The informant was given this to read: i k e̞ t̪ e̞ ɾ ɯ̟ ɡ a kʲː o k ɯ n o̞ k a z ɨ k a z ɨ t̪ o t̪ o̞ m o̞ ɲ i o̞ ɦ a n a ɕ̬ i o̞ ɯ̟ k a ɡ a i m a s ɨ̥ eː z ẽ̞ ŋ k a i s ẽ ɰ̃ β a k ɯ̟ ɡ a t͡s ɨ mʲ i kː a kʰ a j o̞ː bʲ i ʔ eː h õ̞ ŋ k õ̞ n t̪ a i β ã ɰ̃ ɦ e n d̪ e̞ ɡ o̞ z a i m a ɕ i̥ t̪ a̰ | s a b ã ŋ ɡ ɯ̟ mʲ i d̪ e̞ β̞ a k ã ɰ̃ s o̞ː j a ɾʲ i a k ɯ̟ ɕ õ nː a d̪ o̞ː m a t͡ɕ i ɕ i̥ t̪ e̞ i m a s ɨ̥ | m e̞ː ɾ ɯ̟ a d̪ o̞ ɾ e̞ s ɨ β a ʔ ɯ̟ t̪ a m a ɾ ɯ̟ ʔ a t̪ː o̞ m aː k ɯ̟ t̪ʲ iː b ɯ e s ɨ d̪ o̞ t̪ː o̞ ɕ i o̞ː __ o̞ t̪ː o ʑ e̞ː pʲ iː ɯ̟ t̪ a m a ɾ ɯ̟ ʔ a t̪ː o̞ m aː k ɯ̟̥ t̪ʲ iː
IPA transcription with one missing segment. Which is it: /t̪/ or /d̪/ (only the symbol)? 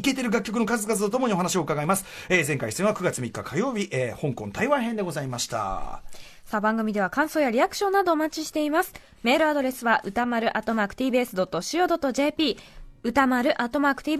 d̪